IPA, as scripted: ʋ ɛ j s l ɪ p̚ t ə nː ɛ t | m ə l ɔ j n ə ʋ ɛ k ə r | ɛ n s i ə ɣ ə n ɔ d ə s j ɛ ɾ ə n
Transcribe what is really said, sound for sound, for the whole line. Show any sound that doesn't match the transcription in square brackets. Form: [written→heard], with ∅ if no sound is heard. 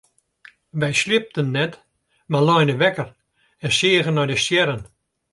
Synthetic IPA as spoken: ʋ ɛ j s l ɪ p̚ t ə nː ɛ t | m [ə→a] l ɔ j n ə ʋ ɛ k ə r | ɛ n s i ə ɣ ə n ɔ d ə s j ɛ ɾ ə n